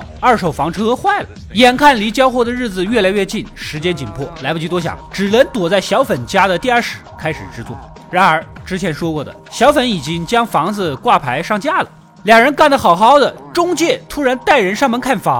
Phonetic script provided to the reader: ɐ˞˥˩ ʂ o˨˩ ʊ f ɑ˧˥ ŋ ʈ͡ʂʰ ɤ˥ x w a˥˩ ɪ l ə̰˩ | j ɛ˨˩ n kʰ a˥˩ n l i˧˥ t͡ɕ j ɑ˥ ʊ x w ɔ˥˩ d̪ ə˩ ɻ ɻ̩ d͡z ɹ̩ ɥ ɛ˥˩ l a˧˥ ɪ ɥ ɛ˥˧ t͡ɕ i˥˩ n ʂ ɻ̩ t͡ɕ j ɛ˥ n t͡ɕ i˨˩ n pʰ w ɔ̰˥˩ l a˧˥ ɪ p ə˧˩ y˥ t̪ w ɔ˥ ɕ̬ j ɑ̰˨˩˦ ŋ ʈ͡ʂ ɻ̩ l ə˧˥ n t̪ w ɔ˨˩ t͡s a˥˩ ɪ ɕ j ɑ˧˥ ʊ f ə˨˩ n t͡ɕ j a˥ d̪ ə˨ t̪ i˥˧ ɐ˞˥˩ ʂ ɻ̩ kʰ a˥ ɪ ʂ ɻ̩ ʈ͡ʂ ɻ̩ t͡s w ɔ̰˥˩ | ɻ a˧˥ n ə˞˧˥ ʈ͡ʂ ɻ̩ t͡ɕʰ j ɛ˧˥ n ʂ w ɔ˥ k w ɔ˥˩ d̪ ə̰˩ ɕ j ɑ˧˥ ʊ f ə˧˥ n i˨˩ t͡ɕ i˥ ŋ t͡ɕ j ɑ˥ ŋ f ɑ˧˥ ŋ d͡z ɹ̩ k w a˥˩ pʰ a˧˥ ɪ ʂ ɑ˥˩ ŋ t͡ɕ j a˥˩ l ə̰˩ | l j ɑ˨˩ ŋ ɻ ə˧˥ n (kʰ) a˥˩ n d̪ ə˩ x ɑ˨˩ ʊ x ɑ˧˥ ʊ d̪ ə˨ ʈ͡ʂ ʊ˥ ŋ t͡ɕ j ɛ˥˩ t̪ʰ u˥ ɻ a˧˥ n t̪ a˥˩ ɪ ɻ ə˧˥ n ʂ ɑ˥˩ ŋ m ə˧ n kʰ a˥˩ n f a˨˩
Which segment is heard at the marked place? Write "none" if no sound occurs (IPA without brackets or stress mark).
k